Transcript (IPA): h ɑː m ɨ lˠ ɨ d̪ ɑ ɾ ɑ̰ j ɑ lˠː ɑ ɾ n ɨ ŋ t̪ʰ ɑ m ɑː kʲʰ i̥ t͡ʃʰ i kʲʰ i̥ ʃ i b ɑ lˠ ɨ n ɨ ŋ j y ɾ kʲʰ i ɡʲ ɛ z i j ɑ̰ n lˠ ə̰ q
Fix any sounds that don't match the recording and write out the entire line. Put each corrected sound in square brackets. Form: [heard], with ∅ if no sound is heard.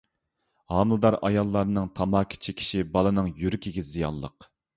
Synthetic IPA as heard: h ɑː m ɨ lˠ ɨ d̪ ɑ ɾ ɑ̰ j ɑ lˠː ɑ ɾ n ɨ ŋ t̪ʰ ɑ m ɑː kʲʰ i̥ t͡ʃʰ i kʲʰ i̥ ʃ i b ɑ lˠ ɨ n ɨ ŋ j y ɾ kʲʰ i ɡʲ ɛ z i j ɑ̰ n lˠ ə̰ q